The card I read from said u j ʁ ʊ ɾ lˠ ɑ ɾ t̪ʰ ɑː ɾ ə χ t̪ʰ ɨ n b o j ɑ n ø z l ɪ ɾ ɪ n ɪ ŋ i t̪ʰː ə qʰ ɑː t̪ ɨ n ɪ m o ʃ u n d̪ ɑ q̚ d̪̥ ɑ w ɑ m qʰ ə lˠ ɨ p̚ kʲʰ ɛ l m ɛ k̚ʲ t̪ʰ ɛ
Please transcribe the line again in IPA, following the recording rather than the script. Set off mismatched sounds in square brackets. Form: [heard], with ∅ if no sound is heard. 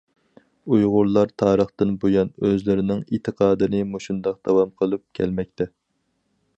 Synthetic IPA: u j ʁ ʊ ɾ lˠ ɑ ɾ t̪ʰ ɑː ɾ ə χ [t̪] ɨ n b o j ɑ n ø z l ɪ ɾ ɪ n ɪ ŋ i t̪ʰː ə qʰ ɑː [d̪] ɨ n ɪ m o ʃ u n d̪ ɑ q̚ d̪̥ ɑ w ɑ m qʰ ə lˠ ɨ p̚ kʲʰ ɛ l m ɛ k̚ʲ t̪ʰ ɛ

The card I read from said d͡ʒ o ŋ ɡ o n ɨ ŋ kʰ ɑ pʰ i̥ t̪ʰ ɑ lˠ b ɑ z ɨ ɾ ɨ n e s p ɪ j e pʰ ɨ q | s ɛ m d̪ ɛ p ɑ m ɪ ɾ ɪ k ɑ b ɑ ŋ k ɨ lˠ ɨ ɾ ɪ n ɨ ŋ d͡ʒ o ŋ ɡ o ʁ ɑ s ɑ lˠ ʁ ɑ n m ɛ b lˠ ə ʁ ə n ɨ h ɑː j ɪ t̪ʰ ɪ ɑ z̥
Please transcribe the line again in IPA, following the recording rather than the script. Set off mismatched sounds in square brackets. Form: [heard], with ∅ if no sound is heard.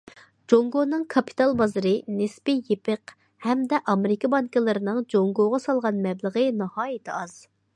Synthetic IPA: d͡ʒ o ŋ ɡ o n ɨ ŋ kʰ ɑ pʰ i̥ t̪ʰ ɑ lˠ b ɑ z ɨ ɾ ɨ n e s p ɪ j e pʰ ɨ q | [h] ɛ m d̪ ɛ [ʔ] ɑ m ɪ ɾ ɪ k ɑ b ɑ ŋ k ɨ lˠ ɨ ɾ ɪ n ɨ ŋ d͡ʒ o ŋ ɡ o ʁ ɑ s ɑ lˠ ʁ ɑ n m ɛ b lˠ ə ʁ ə n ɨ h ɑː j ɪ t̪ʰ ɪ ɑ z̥

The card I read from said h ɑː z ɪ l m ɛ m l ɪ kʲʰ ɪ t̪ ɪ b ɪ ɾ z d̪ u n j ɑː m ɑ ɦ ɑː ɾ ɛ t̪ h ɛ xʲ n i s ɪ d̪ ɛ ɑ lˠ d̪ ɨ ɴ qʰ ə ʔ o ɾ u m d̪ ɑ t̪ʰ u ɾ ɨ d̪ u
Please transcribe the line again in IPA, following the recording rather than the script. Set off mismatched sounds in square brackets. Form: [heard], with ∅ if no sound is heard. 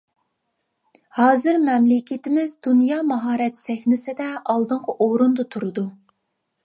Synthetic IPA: h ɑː z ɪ [ɾ] m ɛ m l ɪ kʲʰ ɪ t̪ ɪ [m] ɪ [∅] z d̪ u n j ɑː m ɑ ɦ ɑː ɾ ɛ t̪ [s] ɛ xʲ n [ɪ] s ɪ d̪ ɛ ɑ lˠ d̪ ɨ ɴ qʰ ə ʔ o ɾ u [n] d̪ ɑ t̪ʰ u ɾ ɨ d̪ u

